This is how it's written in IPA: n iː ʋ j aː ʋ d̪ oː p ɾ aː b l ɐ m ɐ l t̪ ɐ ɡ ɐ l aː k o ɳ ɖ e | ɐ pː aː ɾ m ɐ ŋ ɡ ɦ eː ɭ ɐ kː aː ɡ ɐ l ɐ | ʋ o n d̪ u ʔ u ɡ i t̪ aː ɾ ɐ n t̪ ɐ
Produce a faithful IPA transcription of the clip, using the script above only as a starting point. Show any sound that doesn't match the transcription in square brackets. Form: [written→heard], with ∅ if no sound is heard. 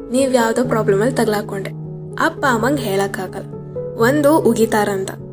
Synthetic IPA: n iː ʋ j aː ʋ d̪ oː p ɾ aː b l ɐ m ɐ l t̪ ɐ ɡ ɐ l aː k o ɳ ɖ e | ɐ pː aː [ɾ→∅] m ɐ ŋ ɡ ɦ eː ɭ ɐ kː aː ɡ ɐ l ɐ | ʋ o n d̪ u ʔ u ɡ i t̪ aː ɾ ɐ n t̪ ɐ